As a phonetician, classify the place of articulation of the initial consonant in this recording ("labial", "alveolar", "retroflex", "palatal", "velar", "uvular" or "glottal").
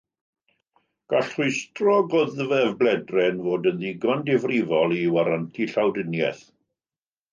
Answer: velar